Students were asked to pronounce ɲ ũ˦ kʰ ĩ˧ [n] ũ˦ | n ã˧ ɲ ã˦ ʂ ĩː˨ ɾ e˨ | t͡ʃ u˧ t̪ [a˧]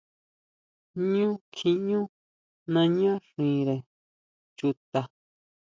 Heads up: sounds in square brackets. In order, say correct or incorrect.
incorrect, correct

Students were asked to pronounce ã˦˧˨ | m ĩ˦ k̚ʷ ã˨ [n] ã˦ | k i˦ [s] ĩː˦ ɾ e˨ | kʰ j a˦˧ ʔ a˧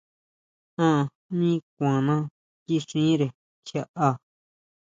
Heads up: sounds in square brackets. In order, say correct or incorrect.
correct, incorrect

